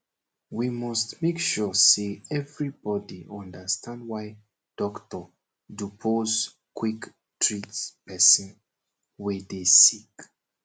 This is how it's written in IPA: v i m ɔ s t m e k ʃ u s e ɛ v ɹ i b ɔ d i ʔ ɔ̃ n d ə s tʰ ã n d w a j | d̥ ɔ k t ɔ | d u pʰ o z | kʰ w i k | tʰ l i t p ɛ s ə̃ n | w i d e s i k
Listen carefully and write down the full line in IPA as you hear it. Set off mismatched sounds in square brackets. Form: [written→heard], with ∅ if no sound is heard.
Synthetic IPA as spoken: [v→w] i m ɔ s t m e k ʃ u s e ɛ v ɹ i b ɔ d i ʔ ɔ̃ n d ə s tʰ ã n d w a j | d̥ ɔ k t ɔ | d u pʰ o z | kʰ w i k | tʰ [l→ɹ] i t p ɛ s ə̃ n | w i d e s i k